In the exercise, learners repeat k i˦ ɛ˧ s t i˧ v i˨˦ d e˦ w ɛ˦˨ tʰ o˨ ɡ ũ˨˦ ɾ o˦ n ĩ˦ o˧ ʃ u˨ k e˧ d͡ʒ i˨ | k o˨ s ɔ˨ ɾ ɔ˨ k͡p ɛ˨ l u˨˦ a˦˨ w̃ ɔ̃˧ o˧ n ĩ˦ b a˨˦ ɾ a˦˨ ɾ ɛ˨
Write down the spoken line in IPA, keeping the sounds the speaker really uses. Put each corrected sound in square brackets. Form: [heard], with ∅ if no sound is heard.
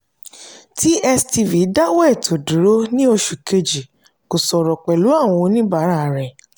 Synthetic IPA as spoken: [t] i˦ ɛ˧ s t i˧ v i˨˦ d [a˦] w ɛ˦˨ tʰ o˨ [d] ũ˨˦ ɾ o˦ n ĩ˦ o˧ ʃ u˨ k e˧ d͡ʒ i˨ | k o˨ s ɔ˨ ɾ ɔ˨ k͡p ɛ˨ l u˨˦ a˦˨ w̃ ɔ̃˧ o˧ n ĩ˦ b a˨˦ ɾ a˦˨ ɾ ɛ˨